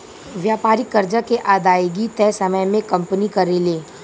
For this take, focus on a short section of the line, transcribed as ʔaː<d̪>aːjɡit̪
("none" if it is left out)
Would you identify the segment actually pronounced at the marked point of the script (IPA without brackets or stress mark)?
d̪